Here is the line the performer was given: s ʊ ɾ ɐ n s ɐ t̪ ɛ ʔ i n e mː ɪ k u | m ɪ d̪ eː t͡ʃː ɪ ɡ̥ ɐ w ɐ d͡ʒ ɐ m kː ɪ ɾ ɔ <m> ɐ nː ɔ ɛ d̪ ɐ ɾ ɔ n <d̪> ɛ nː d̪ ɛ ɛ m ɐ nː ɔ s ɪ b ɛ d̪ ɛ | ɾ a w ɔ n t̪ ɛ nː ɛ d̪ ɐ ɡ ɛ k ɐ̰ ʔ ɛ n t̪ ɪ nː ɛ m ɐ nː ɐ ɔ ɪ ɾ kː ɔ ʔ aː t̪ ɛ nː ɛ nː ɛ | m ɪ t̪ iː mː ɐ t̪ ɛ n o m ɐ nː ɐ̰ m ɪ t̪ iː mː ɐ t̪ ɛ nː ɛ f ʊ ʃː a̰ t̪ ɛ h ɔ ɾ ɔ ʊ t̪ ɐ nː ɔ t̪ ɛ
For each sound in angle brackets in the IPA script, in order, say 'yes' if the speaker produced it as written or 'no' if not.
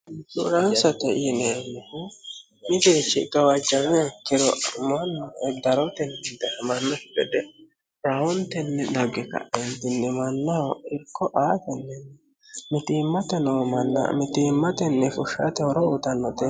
yes, no

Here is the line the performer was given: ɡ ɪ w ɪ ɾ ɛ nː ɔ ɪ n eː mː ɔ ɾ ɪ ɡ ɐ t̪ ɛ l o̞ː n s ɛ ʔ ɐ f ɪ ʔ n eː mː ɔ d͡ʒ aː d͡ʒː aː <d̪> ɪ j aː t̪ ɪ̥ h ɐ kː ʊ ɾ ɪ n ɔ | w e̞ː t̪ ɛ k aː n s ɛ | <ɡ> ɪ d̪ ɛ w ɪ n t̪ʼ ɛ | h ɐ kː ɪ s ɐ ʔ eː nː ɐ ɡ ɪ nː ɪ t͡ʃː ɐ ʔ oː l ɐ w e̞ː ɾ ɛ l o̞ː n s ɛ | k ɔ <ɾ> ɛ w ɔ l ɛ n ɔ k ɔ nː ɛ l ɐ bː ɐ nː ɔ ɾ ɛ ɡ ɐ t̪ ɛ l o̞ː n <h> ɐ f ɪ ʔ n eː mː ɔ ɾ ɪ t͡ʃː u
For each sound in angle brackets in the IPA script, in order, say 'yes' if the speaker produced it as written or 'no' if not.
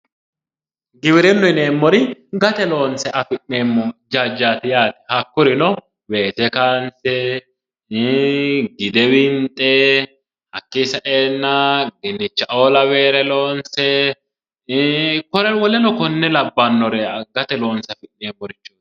no, yes, yes, no

